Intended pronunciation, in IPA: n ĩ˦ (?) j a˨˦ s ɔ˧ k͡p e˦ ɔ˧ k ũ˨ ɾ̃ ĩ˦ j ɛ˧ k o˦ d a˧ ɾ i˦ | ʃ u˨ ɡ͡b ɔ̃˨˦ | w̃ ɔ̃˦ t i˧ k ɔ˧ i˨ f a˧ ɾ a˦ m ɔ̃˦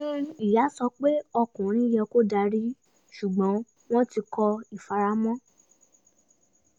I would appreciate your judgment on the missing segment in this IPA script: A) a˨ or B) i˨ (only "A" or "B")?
B